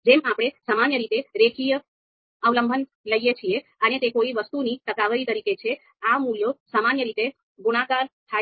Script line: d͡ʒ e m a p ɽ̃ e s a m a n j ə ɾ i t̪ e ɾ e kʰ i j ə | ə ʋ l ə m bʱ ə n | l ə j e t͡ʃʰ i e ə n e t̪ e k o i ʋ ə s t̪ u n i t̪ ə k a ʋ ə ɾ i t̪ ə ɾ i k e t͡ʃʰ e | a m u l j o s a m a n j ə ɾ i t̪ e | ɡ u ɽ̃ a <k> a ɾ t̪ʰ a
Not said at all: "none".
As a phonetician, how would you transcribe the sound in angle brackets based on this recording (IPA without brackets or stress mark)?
k